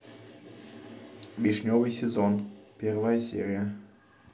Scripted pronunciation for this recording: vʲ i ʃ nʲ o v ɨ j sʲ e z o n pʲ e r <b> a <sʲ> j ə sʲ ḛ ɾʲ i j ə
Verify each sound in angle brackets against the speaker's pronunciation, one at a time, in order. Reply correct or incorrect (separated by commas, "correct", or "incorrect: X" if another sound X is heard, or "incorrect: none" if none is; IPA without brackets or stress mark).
incorrect: v, incorrect: none